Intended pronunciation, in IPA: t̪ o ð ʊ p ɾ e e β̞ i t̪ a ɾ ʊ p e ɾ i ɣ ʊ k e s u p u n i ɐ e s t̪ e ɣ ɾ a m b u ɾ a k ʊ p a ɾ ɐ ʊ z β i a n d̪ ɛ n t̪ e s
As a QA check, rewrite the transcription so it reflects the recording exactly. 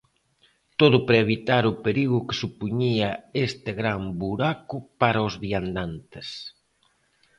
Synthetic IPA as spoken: t̪ o ð ʊ p ɾ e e β̞ i t̪ a ɾ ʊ p e ɾ i ɣ ʊ k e s u p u ɲ i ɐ e s t̪ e ɣ ɾ a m b u ɾ a k ʊ p a ɾ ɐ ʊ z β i a n d̪ a n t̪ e s